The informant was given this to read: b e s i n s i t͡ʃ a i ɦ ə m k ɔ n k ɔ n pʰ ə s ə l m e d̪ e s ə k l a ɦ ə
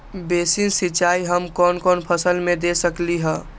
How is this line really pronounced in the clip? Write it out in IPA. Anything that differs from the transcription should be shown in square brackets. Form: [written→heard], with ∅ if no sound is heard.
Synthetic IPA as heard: b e s i n s i t͡ʃ a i ɦ ə m k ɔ n k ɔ n pʰ ə s ə l m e d̪ e s ə k l [a→i] ɦ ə